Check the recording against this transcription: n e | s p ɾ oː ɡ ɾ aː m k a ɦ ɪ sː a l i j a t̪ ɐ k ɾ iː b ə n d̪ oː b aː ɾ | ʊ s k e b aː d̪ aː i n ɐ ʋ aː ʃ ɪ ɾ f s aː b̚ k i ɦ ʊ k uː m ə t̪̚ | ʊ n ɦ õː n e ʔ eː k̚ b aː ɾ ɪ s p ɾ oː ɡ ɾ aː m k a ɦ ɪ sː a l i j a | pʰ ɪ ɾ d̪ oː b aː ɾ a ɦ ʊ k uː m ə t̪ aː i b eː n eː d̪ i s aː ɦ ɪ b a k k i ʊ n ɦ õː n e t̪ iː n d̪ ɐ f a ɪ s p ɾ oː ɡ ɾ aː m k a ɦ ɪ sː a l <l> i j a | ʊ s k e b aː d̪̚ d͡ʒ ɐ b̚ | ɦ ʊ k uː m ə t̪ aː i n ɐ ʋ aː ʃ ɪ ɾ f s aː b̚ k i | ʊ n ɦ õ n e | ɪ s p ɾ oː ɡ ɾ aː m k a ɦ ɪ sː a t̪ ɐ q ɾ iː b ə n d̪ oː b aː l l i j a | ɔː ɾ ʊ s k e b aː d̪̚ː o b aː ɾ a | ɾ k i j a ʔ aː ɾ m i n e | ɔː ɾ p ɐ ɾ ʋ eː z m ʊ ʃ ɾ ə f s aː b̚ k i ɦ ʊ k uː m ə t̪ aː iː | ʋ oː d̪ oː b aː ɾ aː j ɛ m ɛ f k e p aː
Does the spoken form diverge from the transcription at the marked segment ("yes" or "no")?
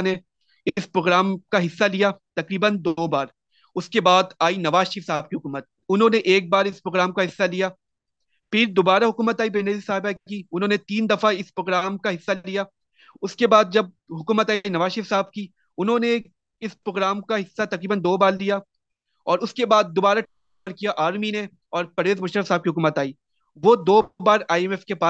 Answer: no